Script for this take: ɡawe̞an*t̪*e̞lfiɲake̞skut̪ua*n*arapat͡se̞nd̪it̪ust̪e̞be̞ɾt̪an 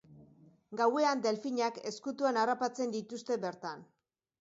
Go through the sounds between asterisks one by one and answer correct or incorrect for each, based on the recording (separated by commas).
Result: incorrect, correct